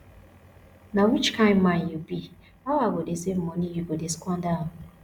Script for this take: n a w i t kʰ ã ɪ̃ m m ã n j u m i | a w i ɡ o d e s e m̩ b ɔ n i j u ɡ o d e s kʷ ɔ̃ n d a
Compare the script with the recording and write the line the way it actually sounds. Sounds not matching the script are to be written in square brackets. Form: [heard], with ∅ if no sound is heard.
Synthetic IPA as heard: n a w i [t͡ʃ] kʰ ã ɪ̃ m m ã n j u [b] i | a w [a] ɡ o d e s e m̩ [m] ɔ n i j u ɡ o d e s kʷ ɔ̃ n d a